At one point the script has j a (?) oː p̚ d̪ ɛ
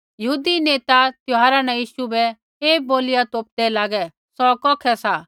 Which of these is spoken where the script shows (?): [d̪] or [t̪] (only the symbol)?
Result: t̪